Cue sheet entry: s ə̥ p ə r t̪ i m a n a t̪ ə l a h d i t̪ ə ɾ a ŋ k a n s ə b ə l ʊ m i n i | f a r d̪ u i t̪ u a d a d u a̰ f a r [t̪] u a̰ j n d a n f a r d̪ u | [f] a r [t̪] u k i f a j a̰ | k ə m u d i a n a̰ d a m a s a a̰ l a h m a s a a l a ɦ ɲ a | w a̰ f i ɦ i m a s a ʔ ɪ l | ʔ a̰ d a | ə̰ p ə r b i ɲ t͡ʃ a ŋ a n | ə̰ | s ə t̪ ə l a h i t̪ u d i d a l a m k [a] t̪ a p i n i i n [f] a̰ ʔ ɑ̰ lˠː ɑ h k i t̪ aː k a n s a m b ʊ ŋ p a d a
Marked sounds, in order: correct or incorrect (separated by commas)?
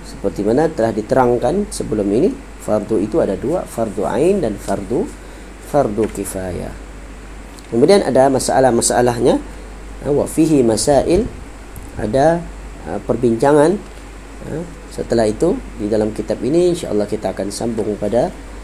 incorrect, correct, incorrect, incorrect, incorrect